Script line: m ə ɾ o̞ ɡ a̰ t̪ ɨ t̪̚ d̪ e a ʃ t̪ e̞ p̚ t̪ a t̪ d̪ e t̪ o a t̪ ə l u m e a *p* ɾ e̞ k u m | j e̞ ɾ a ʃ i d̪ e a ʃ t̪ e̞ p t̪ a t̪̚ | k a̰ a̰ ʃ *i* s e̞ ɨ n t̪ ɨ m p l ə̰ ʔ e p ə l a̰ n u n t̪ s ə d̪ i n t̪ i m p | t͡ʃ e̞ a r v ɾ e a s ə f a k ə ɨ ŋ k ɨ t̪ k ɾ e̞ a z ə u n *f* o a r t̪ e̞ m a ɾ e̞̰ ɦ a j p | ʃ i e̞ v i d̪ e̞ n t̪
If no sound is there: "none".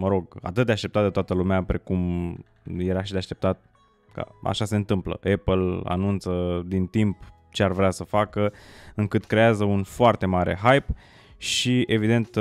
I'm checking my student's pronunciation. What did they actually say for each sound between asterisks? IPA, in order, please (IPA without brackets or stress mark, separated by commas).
p, a, f